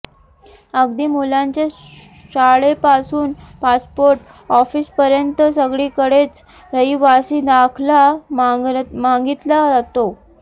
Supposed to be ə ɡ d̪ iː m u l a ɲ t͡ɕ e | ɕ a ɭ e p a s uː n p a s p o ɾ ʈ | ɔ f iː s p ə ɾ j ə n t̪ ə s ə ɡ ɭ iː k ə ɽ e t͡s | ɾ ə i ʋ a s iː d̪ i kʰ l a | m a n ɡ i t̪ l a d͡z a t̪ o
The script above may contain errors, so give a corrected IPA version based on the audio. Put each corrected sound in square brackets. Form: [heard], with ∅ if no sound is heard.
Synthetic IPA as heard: ə ɡ d̪ iː m u l a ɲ t͡ɕ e | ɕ a ɭ e p a s uː n p a s p o ɾ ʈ | ɔ f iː s p ə ɾ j ə n t̪ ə s ə ɡ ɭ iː k ə ɽ e t͡s | ɾ ə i ʋ a s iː d̪ [a] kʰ l a | m a [ŋ] ɡ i t̪ l a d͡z a t̪ o